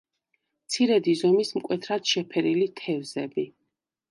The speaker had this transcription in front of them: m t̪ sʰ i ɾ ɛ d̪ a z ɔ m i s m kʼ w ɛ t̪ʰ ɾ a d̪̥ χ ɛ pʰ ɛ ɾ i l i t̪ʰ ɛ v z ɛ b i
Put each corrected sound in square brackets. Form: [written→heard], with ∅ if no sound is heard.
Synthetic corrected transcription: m t̪ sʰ i ɾ ɛ d̪ [a→i] z ɔ m i s m kʼ w ɛ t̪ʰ ɾ a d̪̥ [χ→ʃ] ɛ pʰ ɛ ɾ i l i t̪ʰ ɛ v z ɛ b i